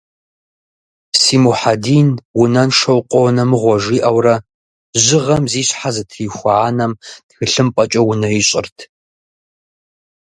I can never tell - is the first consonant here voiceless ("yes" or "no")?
yes